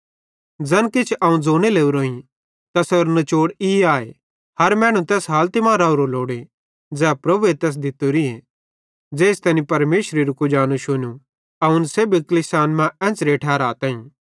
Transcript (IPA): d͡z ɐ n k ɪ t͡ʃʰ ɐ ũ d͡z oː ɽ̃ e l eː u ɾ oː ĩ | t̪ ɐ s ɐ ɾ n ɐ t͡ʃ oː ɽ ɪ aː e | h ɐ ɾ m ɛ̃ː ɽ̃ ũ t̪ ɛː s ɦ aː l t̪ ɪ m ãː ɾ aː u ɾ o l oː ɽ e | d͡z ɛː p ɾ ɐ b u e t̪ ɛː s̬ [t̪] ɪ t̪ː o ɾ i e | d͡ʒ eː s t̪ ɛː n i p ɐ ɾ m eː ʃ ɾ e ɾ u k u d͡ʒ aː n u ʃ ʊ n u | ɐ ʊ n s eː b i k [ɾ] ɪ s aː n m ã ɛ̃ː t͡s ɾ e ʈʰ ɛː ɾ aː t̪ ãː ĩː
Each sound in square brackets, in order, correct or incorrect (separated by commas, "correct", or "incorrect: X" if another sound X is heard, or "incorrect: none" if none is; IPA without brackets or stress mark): incorrect: d̪, incorrect: l